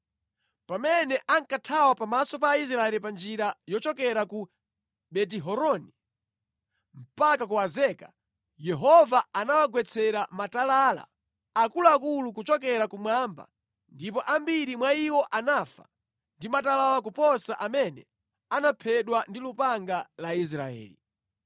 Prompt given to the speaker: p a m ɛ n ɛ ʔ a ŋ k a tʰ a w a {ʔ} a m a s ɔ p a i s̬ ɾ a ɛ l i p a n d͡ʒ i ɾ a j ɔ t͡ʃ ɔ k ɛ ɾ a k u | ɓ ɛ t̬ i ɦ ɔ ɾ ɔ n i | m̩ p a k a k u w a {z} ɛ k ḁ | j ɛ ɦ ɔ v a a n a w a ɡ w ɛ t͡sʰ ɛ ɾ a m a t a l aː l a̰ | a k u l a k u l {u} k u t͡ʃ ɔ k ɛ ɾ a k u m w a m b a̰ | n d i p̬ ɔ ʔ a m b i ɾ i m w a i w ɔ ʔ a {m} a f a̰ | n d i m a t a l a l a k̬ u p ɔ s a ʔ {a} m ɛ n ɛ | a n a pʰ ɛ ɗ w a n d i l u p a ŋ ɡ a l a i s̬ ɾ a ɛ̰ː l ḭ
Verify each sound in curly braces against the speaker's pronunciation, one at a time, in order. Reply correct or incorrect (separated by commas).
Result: incorrect, correct, correct, incorrect, correct